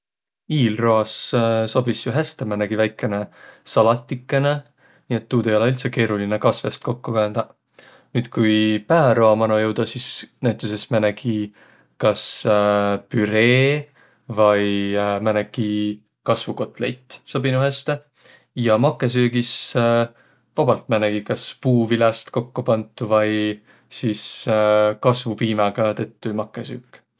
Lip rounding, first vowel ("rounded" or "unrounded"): unrounded